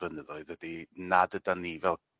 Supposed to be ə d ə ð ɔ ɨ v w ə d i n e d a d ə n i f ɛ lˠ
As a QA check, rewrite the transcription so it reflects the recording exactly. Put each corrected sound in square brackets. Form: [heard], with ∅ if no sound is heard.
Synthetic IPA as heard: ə [n] ə ð ɔ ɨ [ð] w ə d i n [a] d [ə] d [a] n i [v] ɛ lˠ